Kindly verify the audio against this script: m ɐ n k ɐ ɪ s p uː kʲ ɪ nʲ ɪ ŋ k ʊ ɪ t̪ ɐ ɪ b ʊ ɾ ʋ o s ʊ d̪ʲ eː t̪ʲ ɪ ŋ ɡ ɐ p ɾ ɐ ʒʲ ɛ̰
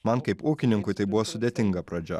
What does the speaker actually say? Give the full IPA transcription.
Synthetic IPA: m ɐ n k ɐ ɪ p uː kʲ ɪ nʲ ɪ ŋ k ʊ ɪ t̪ ɐ ɪ b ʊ ʋ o s ʊ d̪ʲ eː t̪ʲ ɪ ŋ ɡ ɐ p ɾ ɐ d͡ʒʲ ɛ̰